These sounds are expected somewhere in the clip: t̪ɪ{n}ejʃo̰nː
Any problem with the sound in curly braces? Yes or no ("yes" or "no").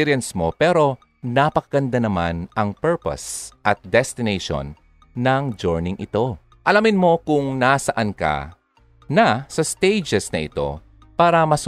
no